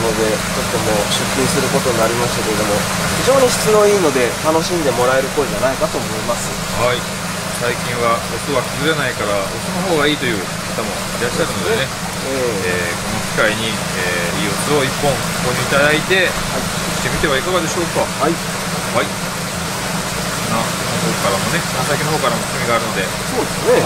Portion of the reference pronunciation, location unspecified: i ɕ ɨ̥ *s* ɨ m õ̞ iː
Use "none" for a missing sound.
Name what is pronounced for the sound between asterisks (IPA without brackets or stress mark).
t͡s